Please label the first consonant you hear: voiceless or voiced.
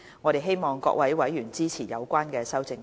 voiced